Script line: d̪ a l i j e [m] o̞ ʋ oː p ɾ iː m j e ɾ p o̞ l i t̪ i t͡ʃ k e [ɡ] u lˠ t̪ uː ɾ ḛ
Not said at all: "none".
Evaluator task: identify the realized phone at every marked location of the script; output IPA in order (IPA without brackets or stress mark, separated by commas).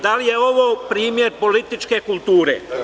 none, k